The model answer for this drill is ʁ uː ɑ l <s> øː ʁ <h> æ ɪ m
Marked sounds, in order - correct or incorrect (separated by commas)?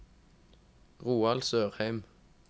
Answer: correct, correct